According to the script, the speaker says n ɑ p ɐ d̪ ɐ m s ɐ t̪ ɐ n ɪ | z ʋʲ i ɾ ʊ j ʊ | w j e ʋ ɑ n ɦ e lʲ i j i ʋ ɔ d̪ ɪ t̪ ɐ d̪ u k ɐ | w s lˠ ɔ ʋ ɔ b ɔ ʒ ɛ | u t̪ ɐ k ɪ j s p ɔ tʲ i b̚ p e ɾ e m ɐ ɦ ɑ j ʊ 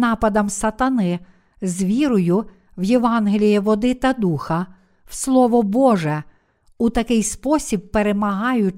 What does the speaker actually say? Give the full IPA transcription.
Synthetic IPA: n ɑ p ɐ d̪ ɐ m s ɐ t̪ ɐ n ɪ | z ʋʲ i ɾ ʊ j ʊ | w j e ʋ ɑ n ɦ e lʲ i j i ʋ ɔ d̪ ɪ t̪ ɐ d̪ u x ɐ | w s lˠ ɔ ʋ ɔ b ɔ ʒ ɛ | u t̪ ɐ k ɪ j s p ɔ sʲ i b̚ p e ɾ e m ɐ ɦ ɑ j ʊ